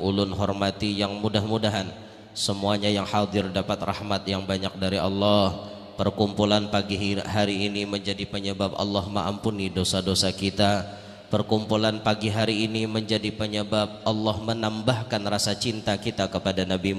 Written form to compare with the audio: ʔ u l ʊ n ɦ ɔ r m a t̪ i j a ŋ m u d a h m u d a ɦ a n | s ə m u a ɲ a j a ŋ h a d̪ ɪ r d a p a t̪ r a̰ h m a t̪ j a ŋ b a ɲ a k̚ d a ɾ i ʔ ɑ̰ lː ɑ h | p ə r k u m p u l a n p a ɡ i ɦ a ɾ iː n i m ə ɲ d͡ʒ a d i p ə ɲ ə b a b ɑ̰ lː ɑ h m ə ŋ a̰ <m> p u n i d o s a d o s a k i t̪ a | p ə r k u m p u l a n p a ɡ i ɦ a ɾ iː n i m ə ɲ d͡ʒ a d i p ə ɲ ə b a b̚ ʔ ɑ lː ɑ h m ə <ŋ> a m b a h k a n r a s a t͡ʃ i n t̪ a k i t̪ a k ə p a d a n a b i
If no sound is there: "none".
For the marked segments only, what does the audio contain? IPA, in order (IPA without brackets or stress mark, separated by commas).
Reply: m, n